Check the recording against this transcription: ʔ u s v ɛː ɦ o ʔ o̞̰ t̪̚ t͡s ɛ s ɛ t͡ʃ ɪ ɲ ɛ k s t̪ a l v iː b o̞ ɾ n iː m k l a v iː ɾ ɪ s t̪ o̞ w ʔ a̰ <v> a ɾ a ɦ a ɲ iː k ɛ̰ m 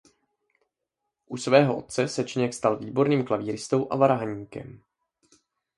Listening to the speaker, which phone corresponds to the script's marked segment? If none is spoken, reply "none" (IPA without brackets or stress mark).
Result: v